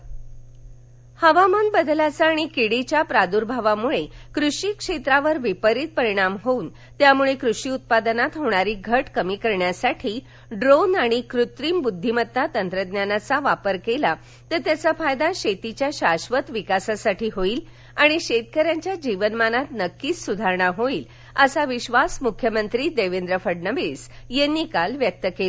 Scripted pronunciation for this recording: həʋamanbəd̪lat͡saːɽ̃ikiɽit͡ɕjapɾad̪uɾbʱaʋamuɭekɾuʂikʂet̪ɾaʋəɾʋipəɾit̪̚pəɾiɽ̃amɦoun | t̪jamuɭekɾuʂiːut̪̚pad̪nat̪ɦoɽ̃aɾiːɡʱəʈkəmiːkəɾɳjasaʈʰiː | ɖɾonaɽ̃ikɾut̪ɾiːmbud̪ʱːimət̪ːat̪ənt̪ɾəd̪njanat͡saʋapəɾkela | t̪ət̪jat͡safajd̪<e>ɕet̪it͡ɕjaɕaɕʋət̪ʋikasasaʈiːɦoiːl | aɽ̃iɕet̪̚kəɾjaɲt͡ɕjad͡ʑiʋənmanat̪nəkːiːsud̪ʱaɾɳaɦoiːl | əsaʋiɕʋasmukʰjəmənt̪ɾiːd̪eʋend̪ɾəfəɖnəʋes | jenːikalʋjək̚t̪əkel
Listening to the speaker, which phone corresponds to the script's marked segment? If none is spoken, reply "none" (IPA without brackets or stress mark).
a